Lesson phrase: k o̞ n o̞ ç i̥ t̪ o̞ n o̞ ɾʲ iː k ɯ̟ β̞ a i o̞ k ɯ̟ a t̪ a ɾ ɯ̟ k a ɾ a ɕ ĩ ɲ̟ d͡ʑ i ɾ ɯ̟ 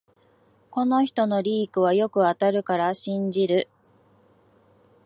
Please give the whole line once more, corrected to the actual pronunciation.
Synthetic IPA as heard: k o̞ n o̞ ç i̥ t̪ o̞ n o̞ ɾʲ iː k ɯ̟ β̞ a j o̞ k ɯ̟ a t̪ a ɾ ɯ̟ k a ɾ a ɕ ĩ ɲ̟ d͡ʑ i ɾ ɯ̟